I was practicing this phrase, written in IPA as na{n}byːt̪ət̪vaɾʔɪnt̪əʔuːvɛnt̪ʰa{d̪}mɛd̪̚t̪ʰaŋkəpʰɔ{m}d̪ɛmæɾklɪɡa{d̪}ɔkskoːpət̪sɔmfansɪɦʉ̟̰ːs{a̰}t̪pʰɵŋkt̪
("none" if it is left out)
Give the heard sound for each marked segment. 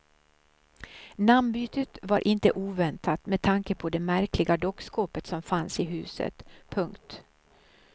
m, t̪, none, d̪, ə̰

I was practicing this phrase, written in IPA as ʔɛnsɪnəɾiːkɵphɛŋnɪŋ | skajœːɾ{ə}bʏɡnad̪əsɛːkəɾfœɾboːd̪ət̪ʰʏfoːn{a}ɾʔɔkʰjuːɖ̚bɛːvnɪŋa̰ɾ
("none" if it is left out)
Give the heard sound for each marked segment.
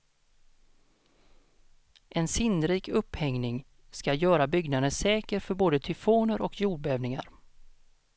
a, ə

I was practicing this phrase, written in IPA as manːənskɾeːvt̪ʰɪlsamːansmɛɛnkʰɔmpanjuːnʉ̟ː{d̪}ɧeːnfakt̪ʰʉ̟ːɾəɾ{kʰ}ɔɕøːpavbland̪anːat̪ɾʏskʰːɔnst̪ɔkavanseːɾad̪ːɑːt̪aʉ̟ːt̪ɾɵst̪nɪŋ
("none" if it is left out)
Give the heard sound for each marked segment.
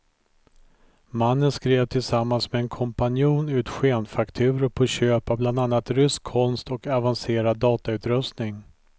t̪, pʰ

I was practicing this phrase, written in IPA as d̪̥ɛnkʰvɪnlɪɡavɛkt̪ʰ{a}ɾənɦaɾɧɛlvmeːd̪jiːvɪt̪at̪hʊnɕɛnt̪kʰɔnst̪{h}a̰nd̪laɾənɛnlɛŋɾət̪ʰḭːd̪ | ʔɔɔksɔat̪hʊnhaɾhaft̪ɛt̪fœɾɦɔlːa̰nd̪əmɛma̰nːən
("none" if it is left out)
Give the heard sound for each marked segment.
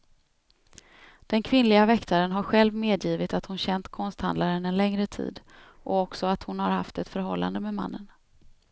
a, h

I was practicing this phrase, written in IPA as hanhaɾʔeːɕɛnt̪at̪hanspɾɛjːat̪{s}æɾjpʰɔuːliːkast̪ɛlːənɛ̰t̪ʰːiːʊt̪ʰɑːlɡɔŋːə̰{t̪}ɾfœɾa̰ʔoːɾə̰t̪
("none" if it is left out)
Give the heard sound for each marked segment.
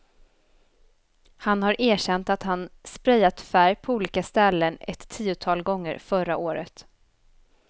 f, none

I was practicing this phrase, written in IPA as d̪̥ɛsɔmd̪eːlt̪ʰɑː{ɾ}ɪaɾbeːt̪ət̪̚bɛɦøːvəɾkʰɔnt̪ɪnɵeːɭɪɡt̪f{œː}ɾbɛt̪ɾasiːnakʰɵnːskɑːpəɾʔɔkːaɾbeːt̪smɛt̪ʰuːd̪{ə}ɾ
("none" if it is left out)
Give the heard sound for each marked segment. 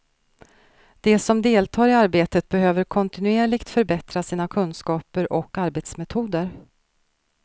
ɾ, œ, ə

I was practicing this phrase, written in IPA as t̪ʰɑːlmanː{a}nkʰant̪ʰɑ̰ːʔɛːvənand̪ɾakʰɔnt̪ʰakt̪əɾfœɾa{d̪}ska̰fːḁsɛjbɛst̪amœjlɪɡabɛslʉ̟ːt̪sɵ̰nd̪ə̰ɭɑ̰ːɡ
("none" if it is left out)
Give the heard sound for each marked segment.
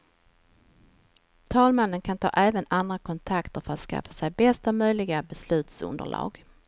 ə, t̪

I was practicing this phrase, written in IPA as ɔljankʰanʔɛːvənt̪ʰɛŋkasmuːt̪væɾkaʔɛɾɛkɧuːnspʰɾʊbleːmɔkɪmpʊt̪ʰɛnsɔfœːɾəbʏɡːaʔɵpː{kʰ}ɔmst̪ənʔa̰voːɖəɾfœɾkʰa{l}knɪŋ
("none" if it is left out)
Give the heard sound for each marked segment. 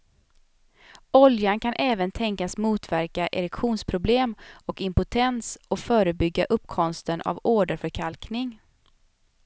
kʰ, l

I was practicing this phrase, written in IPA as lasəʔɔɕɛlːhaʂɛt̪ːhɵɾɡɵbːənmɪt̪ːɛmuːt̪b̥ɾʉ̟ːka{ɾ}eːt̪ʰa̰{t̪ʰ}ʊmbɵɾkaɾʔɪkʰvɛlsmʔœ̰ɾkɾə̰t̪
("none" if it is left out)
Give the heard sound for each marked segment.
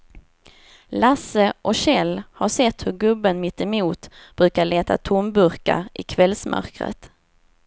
ɭ, t̪ʰ

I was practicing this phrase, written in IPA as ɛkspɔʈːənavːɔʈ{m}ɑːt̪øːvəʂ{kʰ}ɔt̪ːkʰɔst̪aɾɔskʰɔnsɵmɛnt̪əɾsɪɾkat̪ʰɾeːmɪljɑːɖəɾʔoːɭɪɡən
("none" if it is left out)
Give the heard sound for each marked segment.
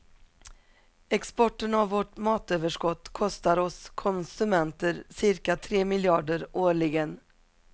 m, k

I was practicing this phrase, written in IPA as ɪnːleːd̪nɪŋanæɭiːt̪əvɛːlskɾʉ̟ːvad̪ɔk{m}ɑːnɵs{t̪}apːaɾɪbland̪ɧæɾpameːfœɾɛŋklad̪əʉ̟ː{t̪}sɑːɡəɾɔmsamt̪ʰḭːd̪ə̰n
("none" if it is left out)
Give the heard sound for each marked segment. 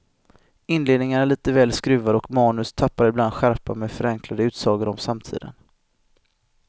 m, t̪ʰ, t̪

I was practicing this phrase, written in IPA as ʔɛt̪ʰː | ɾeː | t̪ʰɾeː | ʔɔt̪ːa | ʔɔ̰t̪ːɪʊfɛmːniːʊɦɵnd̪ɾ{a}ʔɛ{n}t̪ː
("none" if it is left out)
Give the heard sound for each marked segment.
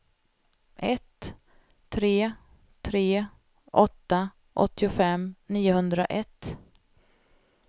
a, none

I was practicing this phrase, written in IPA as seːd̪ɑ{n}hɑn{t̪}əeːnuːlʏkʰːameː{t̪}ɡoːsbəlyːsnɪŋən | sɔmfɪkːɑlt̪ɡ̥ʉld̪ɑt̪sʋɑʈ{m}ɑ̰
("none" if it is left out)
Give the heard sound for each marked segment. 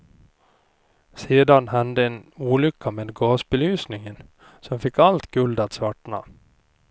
n, d̪, d̪, ɳ

